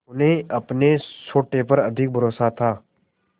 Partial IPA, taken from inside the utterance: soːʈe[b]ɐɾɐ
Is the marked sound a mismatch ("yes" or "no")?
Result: yes